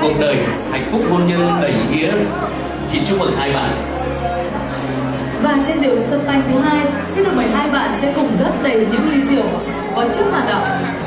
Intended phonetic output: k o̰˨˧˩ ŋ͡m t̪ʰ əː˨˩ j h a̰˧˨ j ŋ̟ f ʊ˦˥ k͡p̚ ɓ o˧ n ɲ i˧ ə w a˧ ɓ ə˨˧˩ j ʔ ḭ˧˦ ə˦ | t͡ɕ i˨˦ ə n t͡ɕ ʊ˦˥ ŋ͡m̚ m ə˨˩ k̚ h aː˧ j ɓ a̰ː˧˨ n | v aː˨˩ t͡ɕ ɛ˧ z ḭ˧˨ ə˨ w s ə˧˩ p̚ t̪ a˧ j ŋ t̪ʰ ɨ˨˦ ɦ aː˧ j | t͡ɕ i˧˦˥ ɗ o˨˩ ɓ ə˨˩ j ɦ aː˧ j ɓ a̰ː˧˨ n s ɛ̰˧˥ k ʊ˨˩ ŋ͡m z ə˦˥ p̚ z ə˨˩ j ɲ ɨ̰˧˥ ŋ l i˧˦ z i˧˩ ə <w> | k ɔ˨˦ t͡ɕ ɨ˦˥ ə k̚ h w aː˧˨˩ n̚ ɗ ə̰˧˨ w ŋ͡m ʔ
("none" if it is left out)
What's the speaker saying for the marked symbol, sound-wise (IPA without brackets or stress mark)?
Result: w